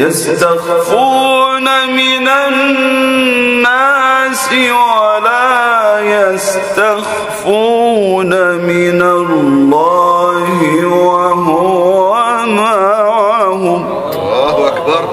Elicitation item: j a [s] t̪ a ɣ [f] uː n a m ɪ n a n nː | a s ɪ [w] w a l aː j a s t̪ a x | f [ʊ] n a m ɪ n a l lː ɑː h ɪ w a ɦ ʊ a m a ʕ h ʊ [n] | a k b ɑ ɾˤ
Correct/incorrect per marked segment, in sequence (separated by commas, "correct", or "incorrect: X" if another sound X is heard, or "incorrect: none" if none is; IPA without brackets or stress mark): correct, correct, correct, incorrect: u, incorrect: m